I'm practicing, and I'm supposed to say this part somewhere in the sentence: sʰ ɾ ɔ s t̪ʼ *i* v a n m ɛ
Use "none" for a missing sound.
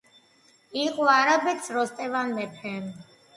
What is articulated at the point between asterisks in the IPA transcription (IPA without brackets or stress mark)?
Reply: ɛ